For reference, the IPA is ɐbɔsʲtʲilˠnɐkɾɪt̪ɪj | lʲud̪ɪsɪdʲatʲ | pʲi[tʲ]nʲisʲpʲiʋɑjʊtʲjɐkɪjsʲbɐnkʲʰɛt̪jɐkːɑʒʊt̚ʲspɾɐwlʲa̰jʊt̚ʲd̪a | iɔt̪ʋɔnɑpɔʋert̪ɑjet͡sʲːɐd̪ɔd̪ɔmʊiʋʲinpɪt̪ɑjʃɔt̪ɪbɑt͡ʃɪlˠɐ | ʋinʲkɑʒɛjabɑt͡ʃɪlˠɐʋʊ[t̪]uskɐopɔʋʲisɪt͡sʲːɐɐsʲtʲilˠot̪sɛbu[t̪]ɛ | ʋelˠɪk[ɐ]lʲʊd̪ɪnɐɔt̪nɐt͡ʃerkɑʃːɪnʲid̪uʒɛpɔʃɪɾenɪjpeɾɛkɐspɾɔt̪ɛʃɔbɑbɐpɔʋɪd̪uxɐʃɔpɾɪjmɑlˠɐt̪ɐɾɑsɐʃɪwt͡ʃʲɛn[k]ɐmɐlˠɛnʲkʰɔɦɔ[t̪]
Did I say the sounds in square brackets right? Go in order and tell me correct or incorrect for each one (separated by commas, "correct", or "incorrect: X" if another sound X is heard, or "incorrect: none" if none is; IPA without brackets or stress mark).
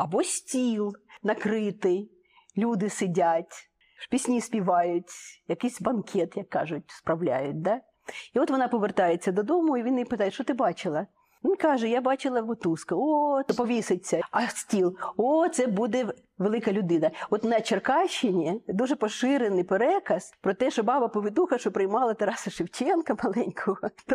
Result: incorrect: sʲ, correct, incorrect: d̪, correct, correct, correct